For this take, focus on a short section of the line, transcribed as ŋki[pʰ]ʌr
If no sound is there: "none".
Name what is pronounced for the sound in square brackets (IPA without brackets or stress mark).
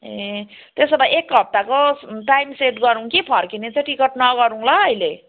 pʰ